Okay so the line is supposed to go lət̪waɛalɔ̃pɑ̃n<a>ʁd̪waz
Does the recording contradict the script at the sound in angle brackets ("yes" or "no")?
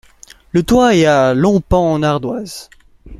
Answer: no